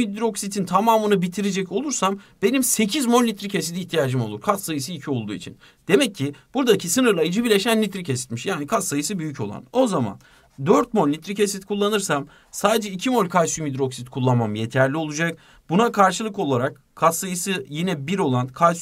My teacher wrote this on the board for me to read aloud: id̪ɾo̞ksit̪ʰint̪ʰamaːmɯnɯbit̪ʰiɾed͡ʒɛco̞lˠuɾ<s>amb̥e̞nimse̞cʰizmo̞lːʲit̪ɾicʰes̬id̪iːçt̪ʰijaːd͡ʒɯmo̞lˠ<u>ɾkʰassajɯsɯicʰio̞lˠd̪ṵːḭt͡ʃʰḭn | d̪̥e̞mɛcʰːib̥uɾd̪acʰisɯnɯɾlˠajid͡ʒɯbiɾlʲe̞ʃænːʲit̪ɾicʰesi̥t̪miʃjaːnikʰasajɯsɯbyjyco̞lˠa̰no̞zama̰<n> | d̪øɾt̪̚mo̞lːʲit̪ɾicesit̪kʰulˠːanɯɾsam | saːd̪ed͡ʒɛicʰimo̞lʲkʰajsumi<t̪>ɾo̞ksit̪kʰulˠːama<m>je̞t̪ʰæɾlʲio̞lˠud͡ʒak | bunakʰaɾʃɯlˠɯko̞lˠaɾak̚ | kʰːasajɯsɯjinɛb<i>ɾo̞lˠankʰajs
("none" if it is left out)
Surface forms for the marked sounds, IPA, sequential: s, u, n, d̪, m, i

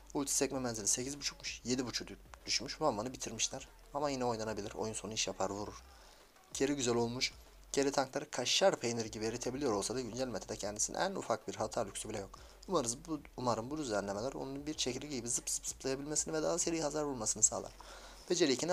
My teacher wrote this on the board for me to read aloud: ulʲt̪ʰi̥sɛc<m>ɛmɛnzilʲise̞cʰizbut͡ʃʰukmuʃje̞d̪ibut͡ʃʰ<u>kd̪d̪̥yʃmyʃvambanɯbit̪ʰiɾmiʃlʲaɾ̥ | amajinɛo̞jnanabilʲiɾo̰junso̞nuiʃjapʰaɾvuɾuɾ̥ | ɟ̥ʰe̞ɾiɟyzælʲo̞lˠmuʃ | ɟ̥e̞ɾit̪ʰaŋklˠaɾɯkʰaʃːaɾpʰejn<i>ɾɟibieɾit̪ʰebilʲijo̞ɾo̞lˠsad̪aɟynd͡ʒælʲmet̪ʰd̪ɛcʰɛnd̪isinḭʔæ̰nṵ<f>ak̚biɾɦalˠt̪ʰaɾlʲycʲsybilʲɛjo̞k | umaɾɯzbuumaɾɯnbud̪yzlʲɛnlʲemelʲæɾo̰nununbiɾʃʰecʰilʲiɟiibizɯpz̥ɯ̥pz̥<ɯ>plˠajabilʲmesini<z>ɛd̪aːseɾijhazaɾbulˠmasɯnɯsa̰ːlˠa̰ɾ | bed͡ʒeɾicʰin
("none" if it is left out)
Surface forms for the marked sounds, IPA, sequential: m, u, i, f, ɯ, v

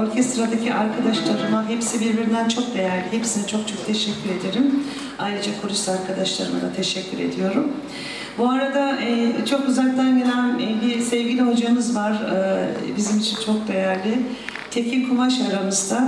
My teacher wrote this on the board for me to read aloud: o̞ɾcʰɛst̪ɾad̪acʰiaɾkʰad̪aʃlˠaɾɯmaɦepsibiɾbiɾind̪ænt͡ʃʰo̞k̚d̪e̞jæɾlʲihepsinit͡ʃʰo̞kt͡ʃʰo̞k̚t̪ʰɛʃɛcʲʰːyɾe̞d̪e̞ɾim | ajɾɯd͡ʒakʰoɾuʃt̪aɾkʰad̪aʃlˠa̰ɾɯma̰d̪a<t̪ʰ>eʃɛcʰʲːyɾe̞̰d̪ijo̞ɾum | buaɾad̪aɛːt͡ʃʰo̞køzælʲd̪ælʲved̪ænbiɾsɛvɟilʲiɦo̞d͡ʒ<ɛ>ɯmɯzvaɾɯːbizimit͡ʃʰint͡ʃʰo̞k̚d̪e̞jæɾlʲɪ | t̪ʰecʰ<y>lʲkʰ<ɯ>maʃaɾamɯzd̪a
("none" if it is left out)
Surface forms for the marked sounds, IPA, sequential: t̪ʰ, a, i, u

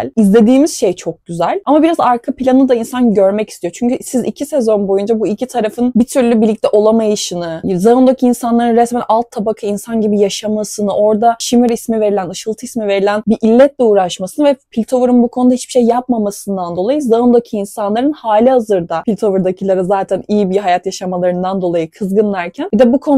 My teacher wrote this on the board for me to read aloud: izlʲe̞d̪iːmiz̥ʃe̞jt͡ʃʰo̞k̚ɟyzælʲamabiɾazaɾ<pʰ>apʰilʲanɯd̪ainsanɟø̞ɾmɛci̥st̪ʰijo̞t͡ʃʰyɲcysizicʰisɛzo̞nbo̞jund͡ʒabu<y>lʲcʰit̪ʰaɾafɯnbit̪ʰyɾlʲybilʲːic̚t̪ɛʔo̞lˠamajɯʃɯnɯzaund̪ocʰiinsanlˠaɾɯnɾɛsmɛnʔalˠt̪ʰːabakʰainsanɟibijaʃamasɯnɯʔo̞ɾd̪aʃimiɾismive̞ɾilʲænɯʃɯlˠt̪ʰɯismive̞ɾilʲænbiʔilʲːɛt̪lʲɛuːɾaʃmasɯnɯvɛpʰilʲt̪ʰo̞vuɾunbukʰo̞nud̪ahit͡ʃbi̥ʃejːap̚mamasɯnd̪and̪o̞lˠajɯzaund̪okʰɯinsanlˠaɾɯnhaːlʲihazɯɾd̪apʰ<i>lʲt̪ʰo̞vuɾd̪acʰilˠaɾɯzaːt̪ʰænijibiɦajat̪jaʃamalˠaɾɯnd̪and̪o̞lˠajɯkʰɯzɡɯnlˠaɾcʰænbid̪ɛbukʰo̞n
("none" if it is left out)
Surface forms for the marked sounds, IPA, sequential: kʰ, i, i

